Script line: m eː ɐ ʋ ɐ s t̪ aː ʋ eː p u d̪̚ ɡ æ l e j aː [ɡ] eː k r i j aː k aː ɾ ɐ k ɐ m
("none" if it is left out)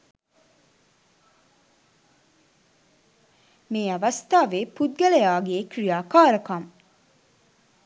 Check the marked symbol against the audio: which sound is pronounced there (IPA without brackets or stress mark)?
ɡ